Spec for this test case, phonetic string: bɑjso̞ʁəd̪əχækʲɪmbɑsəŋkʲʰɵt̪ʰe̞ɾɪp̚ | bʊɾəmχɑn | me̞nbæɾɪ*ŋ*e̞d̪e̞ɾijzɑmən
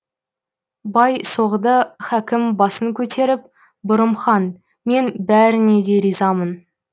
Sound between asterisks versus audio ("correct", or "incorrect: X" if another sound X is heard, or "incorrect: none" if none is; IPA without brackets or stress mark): incorrect: n